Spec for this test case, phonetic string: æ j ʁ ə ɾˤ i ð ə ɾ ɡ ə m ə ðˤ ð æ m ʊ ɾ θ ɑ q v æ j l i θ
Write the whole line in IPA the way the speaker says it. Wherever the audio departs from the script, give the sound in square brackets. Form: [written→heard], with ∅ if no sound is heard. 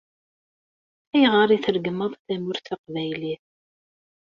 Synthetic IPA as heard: æ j ʁ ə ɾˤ i [ð→θ] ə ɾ ɡ ə m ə ðˤ [ð→θ] æ m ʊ ɾ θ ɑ q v æ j l i θ